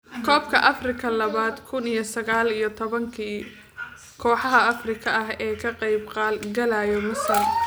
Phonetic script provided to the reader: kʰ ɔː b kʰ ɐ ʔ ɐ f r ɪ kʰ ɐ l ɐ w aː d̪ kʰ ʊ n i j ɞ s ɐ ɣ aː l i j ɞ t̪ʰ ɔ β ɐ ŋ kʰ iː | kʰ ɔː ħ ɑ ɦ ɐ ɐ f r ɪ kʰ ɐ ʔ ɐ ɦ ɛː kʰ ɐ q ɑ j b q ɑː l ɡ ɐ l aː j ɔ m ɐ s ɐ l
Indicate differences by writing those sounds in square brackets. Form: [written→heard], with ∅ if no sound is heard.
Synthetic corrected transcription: kʰ ɔː b kʰ ɐ ʔ ɐ f r ɪ kʰ ɐ l ɐ [w→β] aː d̪ kʰ ʊ n i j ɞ s ɐ ɣ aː l i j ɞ t̪ʰ ɔ β ɐ ŋ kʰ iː | kʰ ɔː ħ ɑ ɦ ɐ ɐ f r ɪ kʰ ɐ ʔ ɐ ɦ ɛː kʰ ɐ q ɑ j b q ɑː l ɡ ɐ l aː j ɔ m ɐ s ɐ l